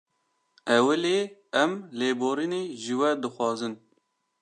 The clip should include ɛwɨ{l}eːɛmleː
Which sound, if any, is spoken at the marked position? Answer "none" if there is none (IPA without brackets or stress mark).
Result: l